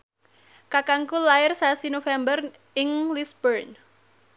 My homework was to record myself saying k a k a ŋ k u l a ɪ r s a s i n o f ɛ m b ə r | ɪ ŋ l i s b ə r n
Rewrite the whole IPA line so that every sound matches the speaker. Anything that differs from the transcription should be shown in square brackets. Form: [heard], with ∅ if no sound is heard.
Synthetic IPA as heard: k a k a ŋ k u l a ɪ r s a s i n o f ɛ m b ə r | ɪ ŋ l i s b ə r n